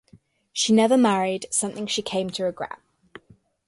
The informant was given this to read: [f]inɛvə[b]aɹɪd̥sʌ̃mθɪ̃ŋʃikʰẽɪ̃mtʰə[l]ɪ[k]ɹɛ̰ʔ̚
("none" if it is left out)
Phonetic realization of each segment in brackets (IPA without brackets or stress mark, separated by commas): ʃ, m, ɹ, ɡ